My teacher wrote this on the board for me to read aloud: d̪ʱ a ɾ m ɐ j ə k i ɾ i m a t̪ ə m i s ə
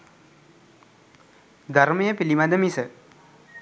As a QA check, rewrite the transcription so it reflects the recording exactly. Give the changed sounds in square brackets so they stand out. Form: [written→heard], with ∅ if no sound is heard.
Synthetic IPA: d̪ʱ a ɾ m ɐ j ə [k→p] i [ɾ→l] i m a [t̪→d̪] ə m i s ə